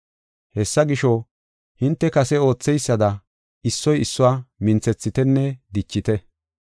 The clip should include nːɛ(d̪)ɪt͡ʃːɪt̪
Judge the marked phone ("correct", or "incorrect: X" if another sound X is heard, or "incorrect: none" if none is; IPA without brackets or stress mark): correct